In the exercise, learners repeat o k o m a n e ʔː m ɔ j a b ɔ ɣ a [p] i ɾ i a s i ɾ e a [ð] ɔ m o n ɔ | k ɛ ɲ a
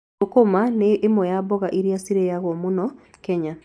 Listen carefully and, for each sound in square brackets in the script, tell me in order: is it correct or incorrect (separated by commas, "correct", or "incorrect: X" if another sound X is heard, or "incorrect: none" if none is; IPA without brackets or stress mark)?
incorrect: ʔ, incorrect: ɣ